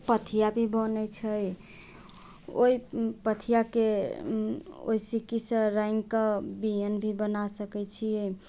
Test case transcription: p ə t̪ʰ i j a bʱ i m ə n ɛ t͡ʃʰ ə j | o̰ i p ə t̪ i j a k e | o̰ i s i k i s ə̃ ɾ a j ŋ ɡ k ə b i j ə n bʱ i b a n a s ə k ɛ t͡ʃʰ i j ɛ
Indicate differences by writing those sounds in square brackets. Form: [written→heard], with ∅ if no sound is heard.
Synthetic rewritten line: p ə t̪ʰ i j a bʱ i [m→b] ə n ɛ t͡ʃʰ ə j | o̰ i p ə [t̪→t̪ʰ] i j a k e | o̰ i s i k i s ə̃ ɾ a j ŋ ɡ k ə b i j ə n bʱ i b [a→ə] n a s ə k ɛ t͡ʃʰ i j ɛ